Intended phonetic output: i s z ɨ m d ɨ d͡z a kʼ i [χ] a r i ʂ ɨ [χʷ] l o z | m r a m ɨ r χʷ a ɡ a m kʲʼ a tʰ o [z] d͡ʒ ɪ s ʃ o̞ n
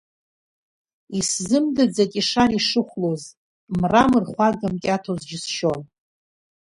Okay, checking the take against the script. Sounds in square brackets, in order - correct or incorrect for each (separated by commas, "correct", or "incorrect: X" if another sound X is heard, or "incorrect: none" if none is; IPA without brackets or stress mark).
incorrect: ʂ, correct, correct